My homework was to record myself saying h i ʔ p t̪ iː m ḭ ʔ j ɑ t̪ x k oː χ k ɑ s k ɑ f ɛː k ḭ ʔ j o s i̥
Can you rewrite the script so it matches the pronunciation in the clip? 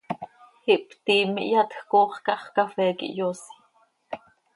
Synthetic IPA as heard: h i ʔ p t̪ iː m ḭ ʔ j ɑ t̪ x k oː χ k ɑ χ k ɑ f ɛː k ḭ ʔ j o s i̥

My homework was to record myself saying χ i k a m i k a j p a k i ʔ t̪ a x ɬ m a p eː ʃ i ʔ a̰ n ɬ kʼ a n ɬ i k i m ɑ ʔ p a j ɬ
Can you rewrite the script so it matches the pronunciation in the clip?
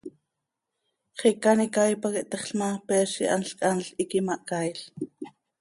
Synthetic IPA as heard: χ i k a n i k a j p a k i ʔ t̪ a χ ɬ m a p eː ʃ i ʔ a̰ n ɬ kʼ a n ɬ i k i m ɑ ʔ k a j ɬ

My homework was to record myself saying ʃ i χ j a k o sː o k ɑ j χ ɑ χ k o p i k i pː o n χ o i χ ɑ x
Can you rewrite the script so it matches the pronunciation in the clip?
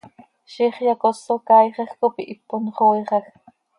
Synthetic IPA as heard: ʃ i χ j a k o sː o k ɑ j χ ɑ x k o p i ʔ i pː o n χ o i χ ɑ x

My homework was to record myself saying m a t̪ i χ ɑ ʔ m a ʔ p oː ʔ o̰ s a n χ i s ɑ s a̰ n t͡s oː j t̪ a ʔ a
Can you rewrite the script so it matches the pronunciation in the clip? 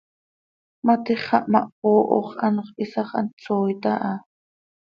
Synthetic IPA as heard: m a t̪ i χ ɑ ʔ m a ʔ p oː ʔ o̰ χ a n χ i s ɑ χ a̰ n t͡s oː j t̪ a ʔ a

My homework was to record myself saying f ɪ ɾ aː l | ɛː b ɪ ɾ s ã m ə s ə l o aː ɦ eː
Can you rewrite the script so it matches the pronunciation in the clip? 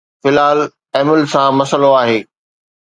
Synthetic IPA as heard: f ɪ l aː l | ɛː m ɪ l s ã m ɐ s ə l o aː ɦ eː

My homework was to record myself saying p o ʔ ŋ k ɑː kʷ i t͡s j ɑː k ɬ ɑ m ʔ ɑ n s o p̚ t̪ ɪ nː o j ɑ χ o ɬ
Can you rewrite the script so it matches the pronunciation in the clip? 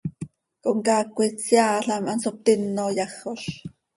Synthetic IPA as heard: k o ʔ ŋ k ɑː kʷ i t͡s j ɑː ɬ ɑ m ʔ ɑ n s o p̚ t̪ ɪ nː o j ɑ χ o ɬ

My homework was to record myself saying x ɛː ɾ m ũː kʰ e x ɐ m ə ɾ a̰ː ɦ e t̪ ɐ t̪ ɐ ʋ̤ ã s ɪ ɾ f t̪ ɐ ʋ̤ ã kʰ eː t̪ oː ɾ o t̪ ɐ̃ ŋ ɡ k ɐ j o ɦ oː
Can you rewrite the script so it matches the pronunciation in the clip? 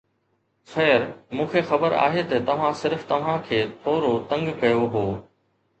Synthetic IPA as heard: x ɛː ɾ m ũː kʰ e x ɐ b ə ɾ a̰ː ɦ e t̪ ɐ t̪ ɐ ʋ̤ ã s ɪ ɾ f t̪ ɐ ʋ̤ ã kʰ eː t̪ʰ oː ɾ o t̪ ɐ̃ ŋ ɡ k ɐ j o ɦ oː

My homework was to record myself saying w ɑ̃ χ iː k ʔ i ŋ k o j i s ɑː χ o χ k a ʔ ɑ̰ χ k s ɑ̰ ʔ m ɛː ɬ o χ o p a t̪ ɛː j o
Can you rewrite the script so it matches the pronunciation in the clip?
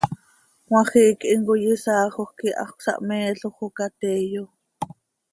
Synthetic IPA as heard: w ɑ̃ χ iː k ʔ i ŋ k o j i s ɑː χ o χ k i ʔ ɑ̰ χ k s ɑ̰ ʔ m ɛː ɬ o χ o k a t̪ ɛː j o

